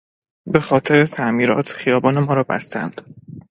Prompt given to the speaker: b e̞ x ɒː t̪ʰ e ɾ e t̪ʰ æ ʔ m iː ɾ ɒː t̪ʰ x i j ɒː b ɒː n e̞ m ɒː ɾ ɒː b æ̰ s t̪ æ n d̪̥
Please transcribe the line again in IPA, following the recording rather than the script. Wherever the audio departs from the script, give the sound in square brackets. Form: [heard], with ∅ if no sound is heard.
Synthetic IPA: b e̞ x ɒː t̪ʰ e ɾ e t̪ʰ æ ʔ m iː ɾ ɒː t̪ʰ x i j ɒː b ɒː n e̞ m ɒː ɾ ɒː b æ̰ s t̪ æ n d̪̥